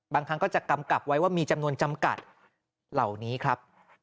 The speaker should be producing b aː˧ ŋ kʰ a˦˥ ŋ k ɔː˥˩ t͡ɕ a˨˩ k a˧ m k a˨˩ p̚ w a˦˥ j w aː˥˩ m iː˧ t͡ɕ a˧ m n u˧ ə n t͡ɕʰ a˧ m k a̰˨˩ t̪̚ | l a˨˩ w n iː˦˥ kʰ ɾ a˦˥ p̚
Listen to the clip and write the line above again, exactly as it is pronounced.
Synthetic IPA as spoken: b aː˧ ŋ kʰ a˦˥ ŋ k ɔː˥˩ t͡ɕ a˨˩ k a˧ m k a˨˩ p̚ w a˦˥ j w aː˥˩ m iː˧ t͡ɕ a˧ m n u˧ ə n t͡ɕ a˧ m k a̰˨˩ t̪̚ | l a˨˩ w n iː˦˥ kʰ ɾ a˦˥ p̚